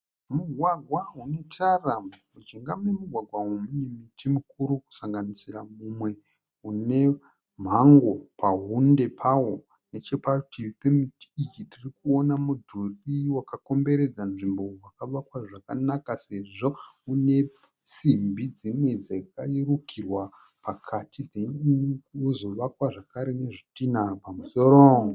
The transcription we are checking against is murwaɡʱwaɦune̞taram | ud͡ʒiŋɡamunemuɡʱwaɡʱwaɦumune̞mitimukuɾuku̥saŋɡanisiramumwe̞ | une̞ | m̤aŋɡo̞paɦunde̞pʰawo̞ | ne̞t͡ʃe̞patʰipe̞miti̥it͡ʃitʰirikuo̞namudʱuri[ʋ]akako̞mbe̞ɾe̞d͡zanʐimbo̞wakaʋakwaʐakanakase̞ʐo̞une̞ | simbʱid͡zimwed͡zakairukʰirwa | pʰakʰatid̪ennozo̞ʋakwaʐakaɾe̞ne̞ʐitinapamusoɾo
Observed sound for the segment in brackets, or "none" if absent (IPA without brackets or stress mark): w